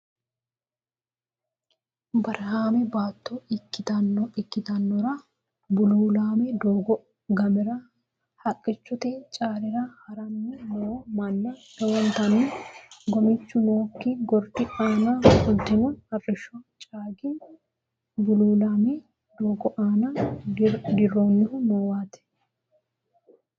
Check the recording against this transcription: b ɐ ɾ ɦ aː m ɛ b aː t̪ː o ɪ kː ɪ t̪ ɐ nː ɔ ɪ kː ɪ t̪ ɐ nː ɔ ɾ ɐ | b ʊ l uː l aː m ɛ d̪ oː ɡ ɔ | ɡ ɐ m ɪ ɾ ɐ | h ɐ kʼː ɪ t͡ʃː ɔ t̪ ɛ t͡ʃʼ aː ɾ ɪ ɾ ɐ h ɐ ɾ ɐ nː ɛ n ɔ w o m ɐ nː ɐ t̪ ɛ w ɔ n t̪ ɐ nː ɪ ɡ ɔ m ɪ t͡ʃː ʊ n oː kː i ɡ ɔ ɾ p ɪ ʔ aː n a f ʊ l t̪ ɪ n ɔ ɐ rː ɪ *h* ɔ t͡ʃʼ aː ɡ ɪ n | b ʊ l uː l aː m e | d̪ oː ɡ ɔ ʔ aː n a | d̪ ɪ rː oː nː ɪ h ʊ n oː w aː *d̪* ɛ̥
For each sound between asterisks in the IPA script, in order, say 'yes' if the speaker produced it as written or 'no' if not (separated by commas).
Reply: no, no